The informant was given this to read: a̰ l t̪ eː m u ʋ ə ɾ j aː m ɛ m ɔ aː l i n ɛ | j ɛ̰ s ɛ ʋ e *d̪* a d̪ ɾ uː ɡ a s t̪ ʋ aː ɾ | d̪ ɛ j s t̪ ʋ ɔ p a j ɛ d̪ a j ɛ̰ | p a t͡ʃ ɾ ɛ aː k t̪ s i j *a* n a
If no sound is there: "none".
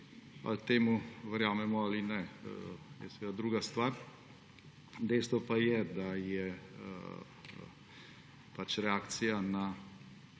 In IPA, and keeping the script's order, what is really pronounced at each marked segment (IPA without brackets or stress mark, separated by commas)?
d̪, a